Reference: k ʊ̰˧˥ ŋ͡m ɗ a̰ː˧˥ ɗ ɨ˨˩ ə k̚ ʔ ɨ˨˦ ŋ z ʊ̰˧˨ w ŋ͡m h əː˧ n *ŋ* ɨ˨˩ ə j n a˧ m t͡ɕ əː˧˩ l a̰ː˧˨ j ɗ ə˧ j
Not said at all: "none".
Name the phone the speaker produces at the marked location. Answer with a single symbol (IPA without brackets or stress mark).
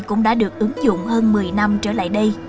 m